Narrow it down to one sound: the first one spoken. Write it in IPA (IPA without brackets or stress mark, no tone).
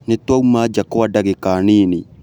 n